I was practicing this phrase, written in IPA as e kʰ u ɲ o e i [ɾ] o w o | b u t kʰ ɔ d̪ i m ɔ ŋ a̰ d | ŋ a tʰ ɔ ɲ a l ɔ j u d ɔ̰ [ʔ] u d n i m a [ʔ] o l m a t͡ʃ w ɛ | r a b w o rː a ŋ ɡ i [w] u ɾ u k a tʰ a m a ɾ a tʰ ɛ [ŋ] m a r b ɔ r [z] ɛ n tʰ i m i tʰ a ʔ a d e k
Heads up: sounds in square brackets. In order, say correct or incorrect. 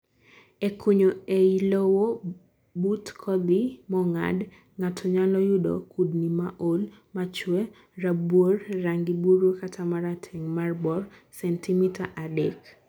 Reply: incorrect, incorrect, correct, incorrect, correct, incorrect

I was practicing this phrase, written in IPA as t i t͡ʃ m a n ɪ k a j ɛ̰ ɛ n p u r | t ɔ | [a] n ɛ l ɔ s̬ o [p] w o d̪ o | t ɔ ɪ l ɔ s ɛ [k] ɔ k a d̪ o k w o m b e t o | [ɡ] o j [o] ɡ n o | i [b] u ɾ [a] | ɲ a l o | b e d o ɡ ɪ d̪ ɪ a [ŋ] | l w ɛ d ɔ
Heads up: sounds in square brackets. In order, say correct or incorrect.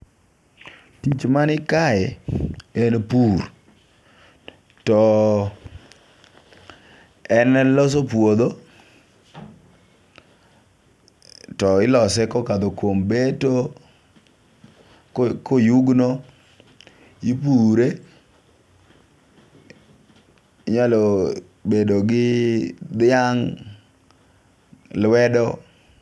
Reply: incorrect, correct, correct, incorrect, incorrect, incorrect, incorrect, correct

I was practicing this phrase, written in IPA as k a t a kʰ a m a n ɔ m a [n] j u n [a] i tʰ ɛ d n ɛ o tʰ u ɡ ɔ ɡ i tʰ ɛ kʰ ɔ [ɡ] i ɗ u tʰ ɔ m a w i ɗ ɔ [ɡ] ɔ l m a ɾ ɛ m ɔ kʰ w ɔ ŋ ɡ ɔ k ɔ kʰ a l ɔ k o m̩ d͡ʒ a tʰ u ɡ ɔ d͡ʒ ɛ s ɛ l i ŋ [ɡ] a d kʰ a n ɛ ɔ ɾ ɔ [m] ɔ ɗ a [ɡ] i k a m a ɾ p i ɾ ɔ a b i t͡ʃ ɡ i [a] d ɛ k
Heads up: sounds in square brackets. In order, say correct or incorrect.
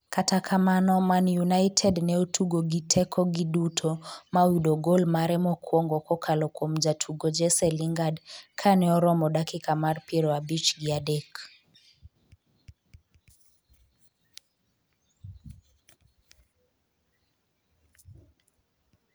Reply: correct, correct, correct, correct, correct, correct, incorrect, correct

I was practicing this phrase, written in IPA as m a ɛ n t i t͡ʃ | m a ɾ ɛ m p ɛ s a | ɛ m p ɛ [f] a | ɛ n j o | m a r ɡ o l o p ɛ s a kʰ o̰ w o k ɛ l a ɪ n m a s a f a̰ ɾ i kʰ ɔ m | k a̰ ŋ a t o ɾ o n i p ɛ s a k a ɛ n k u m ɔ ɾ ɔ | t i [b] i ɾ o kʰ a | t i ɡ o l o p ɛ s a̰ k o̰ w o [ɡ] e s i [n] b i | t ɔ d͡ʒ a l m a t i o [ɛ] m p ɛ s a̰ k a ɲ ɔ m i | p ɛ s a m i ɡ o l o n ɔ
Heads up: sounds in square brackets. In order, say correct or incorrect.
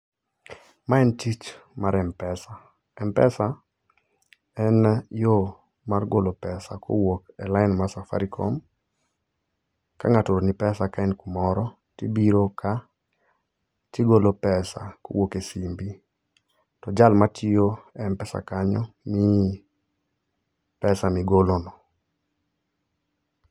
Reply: incorrect, correct, incorrect, incorrect, correct

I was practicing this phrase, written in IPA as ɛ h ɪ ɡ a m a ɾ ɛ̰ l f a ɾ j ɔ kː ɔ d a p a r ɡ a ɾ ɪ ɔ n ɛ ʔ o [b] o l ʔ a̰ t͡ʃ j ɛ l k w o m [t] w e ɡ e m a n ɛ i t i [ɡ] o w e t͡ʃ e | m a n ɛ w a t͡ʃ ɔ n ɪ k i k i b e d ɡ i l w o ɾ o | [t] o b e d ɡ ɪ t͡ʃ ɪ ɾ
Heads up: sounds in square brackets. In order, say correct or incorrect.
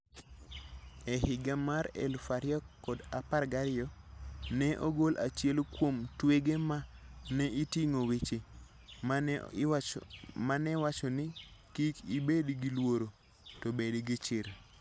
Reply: incorrect, correct, incorrect, correct

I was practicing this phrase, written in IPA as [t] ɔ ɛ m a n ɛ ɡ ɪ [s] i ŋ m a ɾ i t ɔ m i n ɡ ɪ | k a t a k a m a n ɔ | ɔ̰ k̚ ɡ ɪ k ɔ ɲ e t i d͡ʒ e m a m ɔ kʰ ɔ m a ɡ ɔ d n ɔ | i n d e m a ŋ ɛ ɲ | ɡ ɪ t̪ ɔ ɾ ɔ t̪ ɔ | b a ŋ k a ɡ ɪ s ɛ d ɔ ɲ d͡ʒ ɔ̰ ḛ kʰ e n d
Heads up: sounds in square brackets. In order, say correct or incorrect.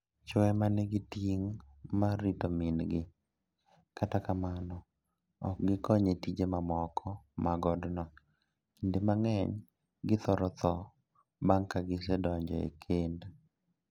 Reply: incorrect, incorrect

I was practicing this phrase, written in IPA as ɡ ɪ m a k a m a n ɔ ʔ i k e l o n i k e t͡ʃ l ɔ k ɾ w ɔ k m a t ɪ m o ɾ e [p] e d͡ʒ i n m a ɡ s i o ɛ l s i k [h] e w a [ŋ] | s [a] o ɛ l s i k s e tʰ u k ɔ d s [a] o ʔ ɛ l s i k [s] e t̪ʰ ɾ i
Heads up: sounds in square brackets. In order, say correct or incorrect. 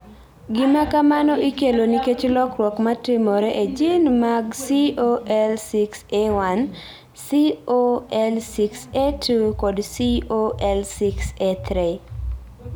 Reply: incorrect, incorrect, incorrect, incorrect, incorrect, correct

